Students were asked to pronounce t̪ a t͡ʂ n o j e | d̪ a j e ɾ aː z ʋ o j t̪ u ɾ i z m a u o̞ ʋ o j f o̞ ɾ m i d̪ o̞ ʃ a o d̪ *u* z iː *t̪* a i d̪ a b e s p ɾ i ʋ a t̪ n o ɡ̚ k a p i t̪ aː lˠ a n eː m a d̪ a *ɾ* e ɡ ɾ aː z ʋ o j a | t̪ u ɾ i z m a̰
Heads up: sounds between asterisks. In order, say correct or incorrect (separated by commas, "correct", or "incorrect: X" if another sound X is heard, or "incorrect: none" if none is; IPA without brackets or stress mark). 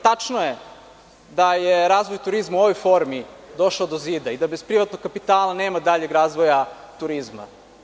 incorrect: o, incorrect: d̪, incorrect: ʎ